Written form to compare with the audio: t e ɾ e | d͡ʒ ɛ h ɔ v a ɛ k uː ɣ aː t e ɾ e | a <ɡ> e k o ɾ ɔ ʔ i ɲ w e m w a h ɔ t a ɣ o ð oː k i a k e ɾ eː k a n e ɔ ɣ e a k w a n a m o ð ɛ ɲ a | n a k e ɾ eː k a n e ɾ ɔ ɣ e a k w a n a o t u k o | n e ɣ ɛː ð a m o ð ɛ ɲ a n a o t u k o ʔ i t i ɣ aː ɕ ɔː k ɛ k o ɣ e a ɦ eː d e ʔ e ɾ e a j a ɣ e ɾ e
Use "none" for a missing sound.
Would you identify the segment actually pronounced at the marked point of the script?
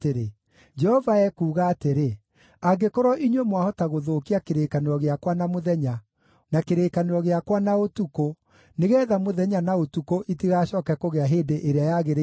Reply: ɡ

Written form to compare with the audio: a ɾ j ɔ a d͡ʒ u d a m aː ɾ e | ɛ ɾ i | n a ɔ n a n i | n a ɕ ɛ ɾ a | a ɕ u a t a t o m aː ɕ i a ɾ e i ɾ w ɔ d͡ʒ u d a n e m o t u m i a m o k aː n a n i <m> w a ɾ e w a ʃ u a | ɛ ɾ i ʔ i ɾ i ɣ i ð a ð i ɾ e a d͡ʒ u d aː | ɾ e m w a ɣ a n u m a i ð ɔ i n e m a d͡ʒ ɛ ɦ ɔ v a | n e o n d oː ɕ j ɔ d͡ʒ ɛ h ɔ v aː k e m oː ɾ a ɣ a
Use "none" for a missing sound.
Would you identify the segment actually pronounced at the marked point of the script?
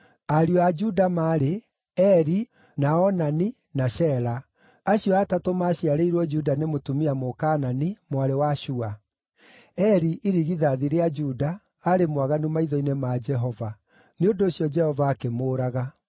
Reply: m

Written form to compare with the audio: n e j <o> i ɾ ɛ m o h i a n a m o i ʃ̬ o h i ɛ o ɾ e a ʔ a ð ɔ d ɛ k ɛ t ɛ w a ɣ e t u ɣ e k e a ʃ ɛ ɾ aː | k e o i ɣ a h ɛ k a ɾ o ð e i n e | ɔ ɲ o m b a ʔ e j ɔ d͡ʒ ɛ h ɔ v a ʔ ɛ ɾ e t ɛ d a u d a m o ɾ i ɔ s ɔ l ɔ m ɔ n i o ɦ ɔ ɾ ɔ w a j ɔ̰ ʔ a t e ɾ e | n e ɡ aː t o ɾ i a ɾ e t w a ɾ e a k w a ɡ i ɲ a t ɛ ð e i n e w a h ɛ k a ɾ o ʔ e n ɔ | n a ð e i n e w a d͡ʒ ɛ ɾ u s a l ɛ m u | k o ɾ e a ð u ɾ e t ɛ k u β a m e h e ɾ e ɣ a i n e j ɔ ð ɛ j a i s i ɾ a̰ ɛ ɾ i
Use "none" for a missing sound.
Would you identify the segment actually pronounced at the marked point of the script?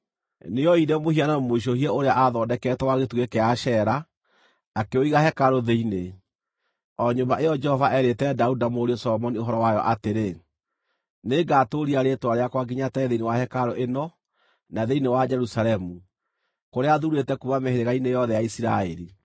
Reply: ɔ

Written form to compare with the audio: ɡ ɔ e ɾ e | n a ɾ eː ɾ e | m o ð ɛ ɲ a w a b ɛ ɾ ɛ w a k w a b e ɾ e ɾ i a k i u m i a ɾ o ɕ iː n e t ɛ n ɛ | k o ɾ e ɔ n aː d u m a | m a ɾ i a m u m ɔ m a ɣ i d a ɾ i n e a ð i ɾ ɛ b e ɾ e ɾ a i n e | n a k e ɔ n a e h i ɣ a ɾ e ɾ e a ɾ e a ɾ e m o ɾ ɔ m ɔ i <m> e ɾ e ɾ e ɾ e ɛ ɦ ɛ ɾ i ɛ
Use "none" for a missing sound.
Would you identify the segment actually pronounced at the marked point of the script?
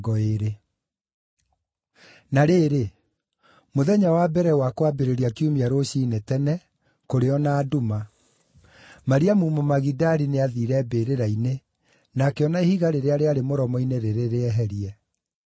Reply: n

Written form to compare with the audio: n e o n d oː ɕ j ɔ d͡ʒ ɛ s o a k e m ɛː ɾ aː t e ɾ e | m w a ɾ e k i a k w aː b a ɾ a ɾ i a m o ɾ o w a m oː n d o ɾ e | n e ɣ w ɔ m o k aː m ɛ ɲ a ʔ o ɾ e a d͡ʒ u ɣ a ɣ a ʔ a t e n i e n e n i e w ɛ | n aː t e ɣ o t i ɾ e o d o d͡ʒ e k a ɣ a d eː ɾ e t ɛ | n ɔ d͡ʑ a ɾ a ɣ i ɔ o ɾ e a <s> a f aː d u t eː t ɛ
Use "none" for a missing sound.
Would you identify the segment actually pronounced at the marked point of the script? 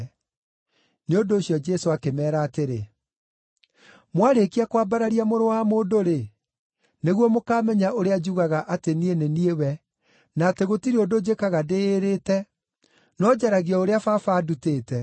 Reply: f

